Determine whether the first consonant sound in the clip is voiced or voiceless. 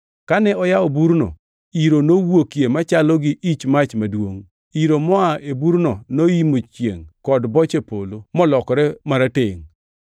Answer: voiceless